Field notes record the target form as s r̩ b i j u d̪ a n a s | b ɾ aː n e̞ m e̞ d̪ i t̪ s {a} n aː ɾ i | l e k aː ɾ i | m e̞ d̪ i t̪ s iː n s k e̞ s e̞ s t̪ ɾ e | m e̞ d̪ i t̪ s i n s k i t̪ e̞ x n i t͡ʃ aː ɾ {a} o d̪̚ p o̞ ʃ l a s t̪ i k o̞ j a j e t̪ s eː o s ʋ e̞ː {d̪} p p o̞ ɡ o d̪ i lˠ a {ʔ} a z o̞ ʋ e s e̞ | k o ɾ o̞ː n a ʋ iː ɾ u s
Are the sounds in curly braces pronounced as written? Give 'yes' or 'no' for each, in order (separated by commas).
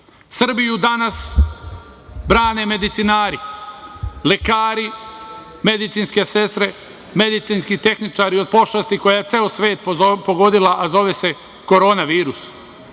no, no, no, yes